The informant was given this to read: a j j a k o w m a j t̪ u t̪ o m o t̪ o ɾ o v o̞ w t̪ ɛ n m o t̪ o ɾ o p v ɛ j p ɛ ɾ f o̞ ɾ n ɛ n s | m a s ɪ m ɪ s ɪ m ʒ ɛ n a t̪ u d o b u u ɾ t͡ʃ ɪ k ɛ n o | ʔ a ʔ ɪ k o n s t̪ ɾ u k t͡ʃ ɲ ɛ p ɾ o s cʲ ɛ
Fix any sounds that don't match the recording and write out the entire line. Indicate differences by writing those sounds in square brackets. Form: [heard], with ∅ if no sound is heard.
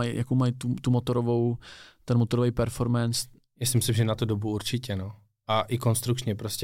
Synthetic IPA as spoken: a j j a k o w m a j t̪ u t̪ [u] m o t̪ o ɾ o v o̞ w t̪ ɛ n m o t̪ o ɾ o [∅] v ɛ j p ɛ ɾ f o̞ ɾ [m] ɛ n s | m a s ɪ m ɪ s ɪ m ʒ ɛ n a t̪ u d o b u u ɾ t͡ʃ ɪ [c] ɛ n o | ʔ a ʔ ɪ k o n s t̪ ɾ u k t͡ʃ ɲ ɛ p ɾ o s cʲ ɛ